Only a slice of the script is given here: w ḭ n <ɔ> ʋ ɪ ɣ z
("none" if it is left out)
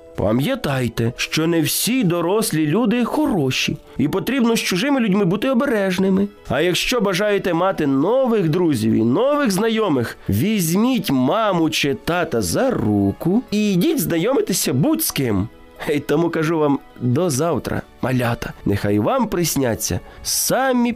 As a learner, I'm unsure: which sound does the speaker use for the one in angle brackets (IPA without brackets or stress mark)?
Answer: ɔ